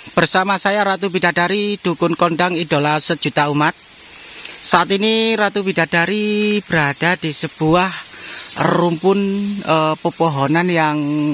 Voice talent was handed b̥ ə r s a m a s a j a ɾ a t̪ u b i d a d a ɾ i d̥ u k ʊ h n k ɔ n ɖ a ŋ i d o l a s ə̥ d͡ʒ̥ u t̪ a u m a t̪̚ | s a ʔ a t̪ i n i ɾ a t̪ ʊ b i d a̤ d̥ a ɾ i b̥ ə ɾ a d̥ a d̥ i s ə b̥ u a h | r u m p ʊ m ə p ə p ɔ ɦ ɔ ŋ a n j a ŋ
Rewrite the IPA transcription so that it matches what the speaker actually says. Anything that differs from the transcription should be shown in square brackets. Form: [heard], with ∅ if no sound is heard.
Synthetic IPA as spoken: b̥ ə r s a m a s a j a ɾ a t̪ u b i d a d a ɾ i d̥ u k ʊ [∅] n k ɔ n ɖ a ŋ i d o l a s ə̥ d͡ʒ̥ u t̪ a u m a t̪̚ | s a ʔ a t̪ i n i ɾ a t̪ [u] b i d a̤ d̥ a ɾ i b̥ ə ɾ a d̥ a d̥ i s ə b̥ u a h | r u m p ʊ [n] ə p ə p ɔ ɦ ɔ [n] a n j a ŋ